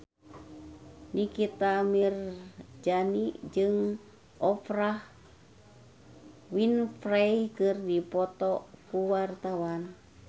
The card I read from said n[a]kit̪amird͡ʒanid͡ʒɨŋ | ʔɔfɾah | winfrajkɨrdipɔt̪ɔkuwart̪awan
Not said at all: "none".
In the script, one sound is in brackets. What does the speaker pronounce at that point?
i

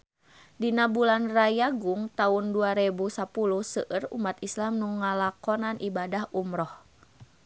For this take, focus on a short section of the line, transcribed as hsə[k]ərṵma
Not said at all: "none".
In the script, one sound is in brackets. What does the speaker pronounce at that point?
ʔ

